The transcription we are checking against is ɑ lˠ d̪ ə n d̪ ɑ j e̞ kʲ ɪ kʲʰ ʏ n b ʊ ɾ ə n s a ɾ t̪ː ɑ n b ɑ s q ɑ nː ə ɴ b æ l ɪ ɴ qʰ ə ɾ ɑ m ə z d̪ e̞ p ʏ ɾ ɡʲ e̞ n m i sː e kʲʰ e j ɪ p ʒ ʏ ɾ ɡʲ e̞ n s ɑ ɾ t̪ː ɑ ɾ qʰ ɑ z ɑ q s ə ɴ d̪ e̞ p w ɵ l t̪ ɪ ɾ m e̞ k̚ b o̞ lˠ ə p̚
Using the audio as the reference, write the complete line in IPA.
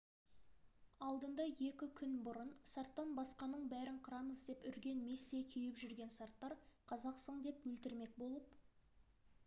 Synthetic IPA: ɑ lˠ d̪ ə n d̪ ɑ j e̞ kʲ ɪ kʲʰ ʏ n b ʊ ɾ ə n s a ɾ t̪ː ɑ n b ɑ s q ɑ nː ə ɴ b æ ɾ ɪ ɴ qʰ ə ɾ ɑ m ə z d̪ e̞ p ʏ ɾ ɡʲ e̞ n m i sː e kʲʰ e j ɪ p ʒ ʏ ɾ ɡʲ e̞ n s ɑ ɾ t̪ː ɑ ɾ qʰ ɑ z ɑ q s ə ɴ d̪ e̞ p w ɵ l t̪ ɪ ɾ m e̞ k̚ b o̞ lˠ ə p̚